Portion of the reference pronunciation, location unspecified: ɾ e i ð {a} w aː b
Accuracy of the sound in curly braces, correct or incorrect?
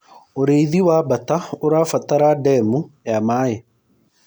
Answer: incorrect